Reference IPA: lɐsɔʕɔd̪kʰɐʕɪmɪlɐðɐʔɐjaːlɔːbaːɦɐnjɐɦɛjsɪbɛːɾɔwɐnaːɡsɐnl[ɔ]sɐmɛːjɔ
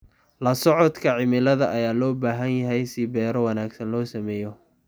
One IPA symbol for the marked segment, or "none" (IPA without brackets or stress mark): ɔː